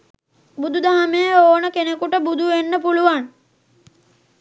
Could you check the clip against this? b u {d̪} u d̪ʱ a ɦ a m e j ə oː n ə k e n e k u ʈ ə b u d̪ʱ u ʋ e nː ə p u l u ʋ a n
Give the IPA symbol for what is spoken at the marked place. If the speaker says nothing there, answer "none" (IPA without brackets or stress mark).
d̪